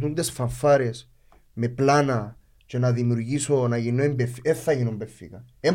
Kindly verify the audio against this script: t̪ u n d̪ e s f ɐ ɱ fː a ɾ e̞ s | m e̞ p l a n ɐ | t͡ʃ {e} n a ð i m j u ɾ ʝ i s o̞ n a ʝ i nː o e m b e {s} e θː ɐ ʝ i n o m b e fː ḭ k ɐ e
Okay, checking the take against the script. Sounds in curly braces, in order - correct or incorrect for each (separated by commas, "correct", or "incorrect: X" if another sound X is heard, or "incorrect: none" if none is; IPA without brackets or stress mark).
correct, incorrect: f